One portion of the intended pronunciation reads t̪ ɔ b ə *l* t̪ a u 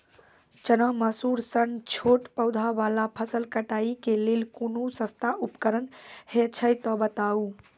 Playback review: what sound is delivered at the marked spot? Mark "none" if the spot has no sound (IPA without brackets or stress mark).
none